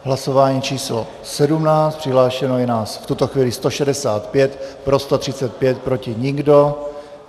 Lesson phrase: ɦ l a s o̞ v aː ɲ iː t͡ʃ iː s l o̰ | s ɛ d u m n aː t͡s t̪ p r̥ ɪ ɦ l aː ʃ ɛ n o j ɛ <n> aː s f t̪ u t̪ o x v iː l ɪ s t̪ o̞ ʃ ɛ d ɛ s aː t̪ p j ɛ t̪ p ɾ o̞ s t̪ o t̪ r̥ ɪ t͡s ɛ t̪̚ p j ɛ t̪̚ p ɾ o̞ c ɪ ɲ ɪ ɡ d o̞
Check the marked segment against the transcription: correct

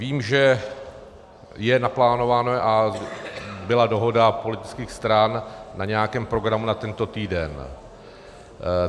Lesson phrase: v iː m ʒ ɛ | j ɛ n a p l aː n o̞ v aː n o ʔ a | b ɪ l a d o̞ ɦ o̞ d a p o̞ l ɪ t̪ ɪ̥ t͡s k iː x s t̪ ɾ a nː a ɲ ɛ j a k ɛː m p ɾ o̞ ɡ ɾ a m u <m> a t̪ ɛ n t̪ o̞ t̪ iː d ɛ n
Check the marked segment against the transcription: incorrect: n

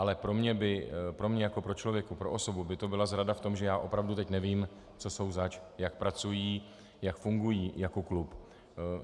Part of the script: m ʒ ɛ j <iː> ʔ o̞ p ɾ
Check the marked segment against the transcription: incorrect: aː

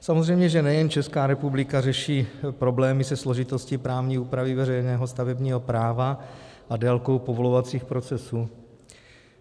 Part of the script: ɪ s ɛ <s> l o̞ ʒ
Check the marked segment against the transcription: correct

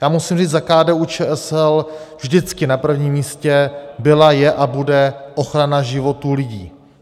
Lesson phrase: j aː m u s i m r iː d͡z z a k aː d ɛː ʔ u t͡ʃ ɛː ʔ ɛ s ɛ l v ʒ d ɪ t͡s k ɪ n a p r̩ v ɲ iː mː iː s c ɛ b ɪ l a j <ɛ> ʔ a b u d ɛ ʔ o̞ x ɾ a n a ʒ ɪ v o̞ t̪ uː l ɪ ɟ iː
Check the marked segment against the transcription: correct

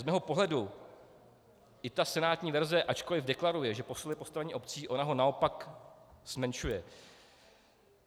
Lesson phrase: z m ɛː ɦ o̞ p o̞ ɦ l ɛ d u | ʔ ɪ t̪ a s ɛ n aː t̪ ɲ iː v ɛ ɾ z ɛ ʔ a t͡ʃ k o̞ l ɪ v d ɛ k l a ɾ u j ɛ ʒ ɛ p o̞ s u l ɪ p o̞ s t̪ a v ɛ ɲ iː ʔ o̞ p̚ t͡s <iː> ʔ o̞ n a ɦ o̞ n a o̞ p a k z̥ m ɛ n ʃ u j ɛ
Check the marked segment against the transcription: correct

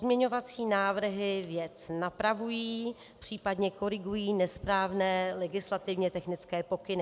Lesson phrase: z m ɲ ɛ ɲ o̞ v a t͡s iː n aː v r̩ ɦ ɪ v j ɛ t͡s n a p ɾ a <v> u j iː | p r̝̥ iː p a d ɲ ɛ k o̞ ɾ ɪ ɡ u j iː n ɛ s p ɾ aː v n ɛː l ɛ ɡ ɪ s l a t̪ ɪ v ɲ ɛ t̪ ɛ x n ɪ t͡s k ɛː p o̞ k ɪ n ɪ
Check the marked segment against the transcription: correct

